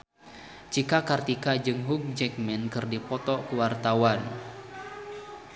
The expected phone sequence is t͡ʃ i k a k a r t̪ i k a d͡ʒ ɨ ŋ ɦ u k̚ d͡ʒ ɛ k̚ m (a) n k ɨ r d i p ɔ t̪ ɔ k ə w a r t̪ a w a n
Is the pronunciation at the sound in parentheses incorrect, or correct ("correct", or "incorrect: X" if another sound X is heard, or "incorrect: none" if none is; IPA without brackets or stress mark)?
incorrect: ɛ